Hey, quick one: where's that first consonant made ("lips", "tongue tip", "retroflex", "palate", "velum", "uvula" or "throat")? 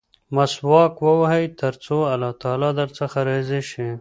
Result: lips